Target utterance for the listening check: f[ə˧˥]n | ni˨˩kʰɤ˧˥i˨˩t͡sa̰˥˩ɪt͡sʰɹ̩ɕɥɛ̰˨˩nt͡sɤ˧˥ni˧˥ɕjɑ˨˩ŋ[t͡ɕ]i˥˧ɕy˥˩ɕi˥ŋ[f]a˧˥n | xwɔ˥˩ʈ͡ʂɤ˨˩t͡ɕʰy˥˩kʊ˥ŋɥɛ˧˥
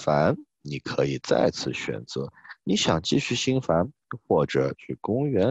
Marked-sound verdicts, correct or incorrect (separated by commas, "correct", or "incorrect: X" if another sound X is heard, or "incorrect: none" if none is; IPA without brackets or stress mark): incorrect: a˧˥, correct, correct